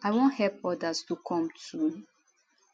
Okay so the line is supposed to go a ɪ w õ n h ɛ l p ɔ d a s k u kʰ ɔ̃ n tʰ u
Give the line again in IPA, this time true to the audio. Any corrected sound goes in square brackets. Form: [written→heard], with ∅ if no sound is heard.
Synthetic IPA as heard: a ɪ w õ n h ɛ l p ɔ d a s [k→t] u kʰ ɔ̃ [n→m] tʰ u